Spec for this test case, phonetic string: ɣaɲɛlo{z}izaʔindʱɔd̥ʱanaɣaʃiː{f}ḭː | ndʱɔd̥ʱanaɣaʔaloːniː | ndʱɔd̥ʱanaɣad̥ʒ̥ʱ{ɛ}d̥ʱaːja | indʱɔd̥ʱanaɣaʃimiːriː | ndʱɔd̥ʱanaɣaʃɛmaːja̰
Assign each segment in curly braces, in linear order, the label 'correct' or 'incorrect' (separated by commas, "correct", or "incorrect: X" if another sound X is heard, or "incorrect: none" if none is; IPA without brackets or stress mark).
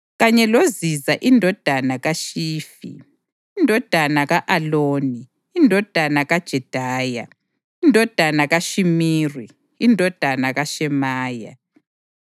correct, correct, correct